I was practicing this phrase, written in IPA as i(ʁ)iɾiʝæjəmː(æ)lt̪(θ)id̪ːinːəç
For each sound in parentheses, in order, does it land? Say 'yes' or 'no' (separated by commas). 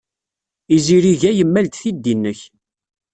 no, yes, yes